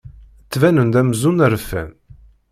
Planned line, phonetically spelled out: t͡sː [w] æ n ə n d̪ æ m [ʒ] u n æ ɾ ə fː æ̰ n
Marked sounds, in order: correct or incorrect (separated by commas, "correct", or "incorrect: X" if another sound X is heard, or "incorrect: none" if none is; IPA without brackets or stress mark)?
incorrect: v, incorrect: z